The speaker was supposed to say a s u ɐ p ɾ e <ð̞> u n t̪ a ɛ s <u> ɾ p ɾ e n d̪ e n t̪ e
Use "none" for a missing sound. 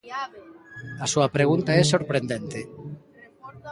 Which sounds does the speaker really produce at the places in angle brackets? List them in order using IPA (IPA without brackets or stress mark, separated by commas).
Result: ɣ̞, o